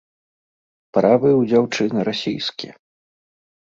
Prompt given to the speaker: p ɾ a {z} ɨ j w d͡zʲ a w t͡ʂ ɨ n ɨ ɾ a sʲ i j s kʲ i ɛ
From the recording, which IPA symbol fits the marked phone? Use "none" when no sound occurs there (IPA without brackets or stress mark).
v